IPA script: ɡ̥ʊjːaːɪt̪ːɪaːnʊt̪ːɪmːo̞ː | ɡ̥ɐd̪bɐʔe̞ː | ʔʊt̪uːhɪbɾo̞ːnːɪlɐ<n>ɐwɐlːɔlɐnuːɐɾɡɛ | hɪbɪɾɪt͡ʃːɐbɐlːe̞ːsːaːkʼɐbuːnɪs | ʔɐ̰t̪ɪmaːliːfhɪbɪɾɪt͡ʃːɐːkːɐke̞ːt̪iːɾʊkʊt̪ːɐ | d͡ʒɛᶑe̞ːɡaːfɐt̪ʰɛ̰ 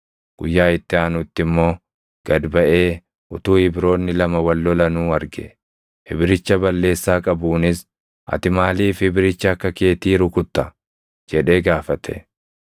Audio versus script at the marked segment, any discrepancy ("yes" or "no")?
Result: yes